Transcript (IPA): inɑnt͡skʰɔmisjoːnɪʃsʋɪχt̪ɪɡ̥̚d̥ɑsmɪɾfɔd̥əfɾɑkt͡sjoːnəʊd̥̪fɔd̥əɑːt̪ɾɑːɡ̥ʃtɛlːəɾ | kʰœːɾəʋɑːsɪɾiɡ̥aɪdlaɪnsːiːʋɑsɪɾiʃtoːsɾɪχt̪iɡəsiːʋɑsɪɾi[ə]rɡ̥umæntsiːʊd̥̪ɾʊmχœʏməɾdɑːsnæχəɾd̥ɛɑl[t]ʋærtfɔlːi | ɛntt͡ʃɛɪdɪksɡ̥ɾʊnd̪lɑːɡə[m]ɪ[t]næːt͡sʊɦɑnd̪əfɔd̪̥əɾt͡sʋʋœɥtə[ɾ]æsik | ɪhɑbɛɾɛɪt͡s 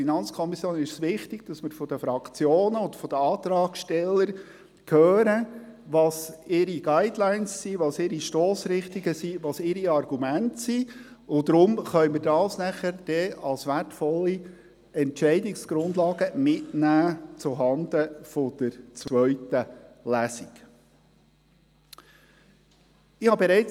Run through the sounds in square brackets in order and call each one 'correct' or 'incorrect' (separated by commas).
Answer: incorrect, incorrect, correct, correct, incorrect